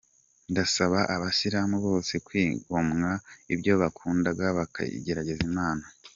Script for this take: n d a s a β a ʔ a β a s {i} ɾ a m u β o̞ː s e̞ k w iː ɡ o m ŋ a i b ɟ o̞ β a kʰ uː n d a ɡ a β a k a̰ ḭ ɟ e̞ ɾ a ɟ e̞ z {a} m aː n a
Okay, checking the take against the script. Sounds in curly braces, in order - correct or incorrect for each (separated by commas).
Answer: correct, incorrect